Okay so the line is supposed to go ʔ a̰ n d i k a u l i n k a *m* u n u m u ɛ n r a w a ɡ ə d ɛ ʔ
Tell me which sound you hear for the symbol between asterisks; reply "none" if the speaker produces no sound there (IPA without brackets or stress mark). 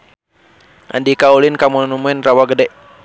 m